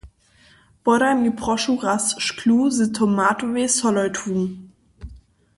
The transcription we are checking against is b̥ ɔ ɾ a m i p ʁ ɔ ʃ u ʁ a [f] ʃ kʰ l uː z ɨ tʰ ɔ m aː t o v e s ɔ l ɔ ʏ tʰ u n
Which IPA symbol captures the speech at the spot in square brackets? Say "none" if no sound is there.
s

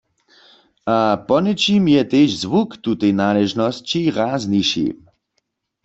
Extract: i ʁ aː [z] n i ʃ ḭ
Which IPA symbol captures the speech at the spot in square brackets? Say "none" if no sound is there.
z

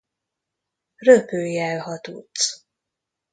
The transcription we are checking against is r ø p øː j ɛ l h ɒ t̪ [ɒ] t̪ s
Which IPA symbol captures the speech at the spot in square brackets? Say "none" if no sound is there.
u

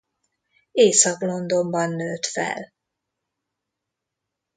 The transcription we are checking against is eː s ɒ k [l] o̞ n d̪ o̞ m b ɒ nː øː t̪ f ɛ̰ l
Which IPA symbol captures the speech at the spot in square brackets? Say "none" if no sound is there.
l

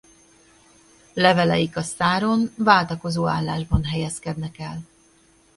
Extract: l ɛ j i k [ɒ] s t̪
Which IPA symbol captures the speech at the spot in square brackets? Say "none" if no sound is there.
ɒ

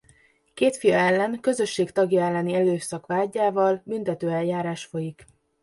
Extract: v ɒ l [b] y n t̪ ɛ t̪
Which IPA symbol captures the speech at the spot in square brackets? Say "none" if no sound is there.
b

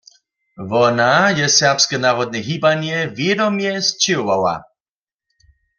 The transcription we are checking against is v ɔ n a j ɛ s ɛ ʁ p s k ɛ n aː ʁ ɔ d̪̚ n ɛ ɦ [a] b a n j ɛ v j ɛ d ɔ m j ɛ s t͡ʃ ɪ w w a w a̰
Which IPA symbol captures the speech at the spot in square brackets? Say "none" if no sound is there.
i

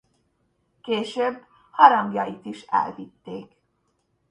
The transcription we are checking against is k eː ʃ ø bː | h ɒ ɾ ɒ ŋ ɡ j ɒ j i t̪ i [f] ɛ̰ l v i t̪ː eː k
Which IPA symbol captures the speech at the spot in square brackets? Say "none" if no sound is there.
ʃ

